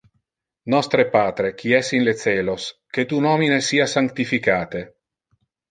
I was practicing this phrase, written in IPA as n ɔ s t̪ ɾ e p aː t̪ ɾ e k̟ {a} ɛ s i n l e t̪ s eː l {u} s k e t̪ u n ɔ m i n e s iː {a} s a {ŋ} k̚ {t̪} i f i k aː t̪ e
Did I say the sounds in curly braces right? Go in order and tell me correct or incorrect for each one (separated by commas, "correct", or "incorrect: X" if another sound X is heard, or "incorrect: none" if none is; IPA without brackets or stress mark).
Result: incorrect: i, incorrect: o, correct, correct, correct